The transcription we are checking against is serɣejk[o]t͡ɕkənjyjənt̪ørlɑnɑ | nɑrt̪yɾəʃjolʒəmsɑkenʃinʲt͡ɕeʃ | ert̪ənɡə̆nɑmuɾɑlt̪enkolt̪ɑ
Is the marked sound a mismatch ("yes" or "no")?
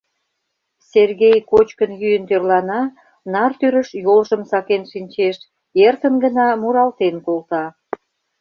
no